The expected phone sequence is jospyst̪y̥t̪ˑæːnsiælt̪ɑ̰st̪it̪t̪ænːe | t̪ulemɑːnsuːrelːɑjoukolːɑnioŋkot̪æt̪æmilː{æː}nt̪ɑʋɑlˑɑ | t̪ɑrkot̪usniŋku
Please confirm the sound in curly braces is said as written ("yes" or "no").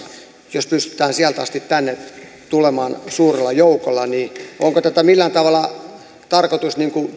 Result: no